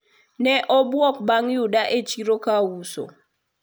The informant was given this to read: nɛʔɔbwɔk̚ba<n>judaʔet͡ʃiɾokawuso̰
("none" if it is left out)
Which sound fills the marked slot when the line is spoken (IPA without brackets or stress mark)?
ŋ